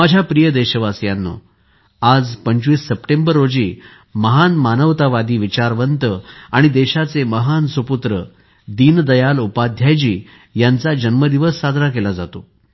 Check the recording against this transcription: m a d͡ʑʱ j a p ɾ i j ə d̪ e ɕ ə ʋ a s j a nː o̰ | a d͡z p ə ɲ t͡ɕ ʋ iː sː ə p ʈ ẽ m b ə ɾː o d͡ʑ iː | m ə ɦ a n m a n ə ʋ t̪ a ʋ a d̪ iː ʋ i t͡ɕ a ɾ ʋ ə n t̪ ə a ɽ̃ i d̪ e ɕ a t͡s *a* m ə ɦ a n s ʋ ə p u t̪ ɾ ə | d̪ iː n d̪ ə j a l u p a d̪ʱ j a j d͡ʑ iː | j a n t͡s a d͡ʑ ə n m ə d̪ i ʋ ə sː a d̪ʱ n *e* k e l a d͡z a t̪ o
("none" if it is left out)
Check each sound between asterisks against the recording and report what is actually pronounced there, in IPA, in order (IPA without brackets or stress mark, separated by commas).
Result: e, a